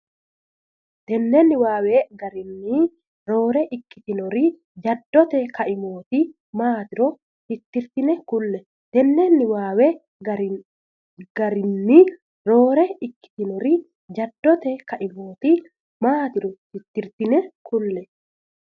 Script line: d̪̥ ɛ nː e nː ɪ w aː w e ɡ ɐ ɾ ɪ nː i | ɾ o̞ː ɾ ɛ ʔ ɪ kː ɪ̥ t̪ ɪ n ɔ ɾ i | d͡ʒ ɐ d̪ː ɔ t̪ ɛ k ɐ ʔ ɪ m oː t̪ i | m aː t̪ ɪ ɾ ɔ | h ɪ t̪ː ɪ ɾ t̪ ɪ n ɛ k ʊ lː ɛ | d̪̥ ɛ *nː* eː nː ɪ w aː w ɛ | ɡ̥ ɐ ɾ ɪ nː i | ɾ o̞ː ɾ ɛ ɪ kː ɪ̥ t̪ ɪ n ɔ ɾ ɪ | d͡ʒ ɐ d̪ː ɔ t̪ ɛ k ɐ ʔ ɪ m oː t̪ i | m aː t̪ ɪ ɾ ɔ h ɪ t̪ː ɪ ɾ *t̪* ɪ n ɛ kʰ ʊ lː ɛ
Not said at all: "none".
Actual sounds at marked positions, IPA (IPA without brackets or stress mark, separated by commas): nː, t̪